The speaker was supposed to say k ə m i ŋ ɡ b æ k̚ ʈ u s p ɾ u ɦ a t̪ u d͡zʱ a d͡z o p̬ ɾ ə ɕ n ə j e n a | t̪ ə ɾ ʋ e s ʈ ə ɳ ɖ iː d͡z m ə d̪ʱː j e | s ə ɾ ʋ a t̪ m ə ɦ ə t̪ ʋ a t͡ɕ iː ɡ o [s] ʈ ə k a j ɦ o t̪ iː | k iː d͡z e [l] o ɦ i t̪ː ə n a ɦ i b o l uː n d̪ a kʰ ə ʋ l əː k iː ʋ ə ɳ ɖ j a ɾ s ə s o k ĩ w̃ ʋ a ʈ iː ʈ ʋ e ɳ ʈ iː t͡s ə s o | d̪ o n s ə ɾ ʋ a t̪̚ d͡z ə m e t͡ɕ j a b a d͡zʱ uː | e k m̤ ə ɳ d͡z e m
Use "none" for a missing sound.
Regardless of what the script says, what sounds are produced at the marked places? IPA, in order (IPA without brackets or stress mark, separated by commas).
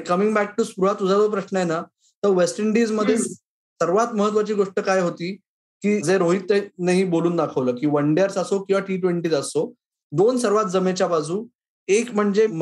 ʂ, ɾ